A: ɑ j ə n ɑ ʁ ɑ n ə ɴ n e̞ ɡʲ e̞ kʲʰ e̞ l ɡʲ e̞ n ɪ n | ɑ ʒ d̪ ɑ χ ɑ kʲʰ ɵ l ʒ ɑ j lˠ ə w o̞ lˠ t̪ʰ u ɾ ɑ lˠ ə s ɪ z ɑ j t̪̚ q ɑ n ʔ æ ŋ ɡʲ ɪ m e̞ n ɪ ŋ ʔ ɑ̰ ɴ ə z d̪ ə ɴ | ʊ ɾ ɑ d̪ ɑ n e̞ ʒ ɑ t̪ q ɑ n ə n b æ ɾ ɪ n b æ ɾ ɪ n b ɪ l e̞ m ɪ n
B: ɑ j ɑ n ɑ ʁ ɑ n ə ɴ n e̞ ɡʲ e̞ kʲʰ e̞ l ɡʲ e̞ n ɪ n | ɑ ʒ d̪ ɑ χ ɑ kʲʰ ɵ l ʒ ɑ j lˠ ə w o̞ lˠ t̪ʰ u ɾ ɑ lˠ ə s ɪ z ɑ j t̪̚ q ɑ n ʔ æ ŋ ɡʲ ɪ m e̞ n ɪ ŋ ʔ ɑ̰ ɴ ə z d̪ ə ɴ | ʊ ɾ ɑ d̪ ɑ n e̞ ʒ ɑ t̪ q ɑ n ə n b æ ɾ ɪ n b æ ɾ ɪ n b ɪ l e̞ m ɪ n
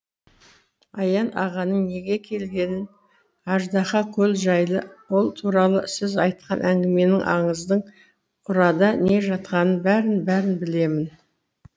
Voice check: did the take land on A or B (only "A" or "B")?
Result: B